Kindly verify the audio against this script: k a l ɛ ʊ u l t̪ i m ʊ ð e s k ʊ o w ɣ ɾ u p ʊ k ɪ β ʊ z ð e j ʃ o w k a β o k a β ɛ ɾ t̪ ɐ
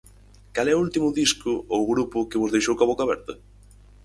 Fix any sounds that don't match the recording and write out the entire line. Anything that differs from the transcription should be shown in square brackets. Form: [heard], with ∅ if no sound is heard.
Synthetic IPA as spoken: k a l ɛ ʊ u l t̪ i m ʊ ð [i] s k ʊ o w ɣ ɾ u p ʊ k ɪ β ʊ z ð e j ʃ o w k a β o k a β ɛ ɾ t̪ ɐ